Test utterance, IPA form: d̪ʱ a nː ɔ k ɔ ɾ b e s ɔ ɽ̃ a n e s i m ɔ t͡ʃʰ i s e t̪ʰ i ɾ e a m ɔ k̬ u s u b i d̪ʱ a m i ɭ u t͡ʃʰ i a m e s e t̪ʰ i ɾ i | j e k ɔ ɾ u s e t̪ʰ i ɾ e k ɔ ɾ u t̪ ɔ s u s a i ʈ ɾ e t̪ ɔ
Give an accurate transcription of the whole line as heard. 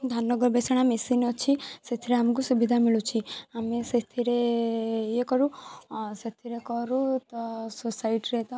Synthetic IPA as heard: d̪ʱ a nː ɔ ɡ ɔ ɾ b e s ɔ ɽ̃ a m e s i n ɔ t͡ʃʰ i s e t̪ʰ i ɾ e a m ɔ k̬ u s u b i d̪ʱ a m i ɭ u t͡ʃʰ i a m e s e t̪ʰ i ɾ e | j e k ɔ ɾ u s e t̪ʰ i ɾ e k ɔ ɾ u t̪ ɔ s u s a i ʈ ɾ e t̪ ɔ